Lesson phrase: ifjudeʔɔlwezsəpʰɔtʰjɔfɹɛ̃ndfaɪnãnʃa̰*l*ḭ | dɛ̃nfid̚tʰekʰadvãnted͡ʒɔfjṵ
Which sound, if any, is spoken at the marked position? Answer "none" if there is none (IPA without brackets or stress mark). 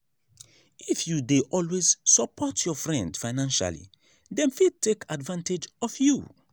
l